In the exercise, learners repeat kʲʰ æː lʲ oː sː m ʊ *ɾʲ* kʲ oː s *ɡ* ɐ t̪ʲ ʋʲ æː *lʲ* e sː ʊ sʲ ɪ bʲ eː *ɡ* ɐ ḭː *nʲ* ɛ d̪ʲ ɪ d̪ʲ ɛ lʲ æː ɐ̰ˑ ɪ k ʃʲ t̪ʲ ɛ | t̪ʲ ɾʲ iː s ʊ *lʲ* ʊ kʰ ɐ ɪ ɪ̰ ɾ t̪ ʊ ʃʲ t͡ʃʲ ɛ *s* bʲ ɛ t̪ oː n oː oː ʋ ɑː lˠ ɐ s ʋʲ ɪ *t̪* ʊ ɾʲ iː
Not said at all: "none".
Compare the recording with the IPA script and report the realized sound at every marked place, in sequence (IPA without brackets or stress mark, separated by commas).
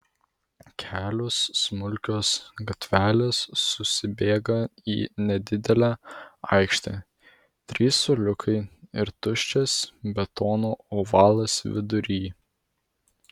lʲ, ɡ, lʲ, ɡ, nʲ, lʲ, s, d̪